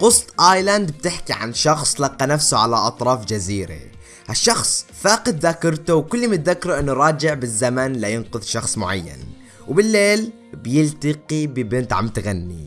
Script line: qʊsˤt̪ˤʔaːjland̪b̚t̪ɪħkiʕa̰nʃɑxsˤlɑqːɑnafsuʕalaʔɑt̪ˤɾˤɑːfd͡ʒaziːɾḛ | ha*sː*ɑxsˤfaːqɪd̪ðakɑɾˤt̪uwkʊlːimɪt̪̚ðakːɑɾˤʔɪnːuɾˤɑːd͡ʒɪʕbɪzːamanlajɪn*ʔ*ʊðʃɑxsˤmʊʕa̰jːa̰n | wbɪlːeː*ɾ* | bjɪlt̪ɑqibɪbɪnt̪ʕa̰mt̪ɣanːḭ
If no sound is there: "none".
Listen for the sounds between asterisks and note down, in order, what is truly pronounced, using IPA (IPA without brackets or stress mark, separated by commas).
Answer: ʃː, q, l